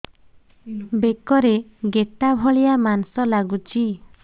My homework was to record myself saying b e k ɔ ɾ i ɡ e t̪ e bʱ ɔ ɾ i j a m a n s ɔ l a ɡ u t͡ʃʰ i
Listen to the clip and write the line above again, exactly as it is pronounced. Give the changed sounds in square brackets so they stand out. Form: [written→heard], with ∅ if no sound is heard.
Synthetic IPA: b e k ɔ ɾ [i→e] ɡ e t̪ [e→a] bʱ ɔ [ɾ→ɭ] i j a m a n s ɔ l a ɡ u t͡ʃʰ i